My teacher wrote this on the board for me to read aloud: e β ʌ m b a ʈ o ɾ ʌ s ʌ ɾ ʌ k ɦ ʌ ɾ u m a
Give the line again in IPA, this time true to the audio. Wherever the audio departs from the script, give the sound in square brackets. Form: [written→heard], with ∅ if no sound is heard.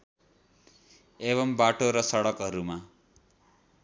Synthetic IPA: e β ʌ m b a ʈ o ɾ ʌ s ʌ [ɾ→ɽ] ʌ k ɦ ʌ ɾ u m a